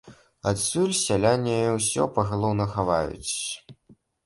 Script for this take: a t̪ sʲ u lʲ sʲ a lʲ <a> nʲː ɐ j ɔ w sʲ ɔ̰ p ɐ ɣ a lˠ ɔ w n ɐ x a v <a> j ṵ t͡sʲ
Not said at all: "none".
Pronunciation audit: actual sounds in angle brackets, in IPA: a, a

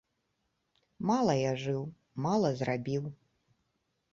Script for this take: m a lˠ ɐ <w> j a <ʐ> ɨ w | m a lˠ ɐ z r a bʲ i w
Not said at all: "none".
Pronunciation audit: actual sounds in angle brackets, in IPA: none, ʐ

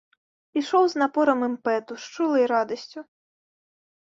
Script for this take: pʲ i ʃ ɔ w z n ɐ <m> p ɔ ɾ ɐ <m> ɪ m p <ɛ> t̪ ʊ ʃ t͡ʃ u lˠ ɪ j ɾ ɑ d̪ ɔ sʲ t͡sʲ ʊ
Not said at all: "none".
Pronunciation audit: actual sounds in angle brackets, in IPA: none, m, ɛ

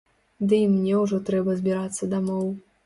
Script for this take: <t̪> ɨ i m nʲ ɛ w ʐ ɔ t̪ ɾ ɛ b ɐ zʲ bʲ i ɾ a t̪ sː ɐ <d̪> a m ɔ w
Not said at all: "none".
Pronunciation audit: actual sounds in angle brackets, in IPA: d̪, d̪

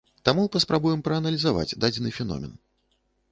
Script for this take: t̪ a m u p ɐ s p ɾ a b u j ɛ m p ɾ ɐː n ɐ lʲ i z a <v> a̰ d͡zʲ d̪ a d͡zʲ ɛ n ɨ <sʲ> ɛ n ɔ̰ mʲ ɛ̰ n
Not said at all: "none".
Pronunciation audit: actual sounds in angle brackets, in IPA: v, fʲ

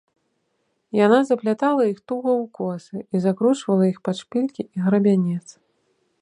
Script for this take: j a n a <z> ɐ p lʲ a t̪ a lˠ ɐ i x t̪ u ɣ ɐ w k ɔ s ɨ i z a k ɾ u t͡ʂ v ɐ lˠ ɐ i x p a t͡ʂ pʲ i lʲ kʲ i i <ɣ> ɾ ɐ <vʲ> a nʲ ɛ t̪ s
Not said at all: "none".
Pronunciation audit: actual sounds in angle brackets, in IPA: z, ɣ, bʲ

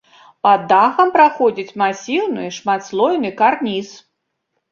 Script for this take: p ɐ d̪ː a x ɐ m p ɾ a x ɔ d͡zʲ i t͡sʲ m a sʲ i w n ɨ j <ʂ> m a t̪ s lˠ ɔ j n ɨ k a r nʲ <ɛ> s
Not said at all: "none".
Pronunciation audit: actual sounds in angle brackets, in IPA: ʂ, i

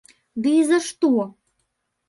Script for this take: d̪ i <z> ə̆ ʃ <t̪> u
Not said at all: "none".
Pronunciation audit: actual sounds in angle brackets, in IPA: z, t̪

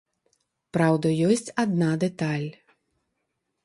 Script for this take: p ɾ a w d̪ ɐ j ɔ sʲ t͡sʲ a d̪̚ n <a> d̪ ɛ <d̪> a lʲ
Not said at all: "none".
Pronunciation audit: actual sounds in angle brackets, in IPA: a, t̪

